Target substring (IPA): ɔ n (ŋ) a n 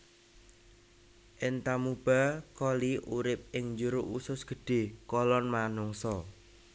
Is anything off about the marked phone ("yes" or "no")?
yes